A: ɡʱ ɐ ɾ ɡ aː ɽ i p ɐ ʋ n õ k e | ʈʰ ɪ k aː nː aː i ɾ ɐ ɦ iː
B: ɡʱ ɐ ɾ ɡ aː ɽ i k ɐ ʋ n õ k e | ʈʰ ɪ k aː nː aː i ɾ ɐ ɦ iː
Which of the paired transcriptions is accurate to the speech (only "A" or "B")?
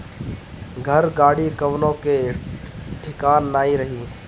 B